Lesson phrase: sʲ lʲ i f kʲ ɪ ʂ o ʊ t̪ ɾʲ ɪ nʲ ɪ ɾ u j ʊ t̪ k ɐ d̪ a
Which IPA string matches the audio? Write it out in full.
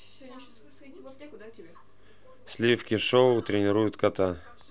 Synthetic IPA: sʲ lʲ i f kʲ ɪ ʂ o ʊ t̪ ɾʲ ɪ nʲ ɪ ɾ u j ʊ t̪ k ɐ t̪ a